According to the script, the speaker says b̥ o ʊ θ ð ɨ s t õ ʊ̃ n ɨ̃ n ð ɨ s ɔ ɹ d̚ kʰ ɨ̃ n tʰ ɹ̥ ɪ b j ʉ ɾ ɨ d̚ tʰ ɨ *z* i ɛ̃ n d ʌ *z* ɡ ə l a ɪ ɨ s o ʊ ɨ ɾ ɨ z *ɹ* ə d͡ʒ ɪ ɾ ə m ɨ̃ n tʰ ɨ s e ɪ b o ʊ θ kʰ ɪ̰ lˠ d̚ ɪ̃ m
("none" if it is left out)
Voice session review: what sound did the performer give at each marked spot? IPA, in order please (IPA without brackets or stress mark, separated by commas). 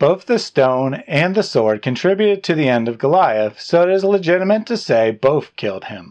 ð, v, l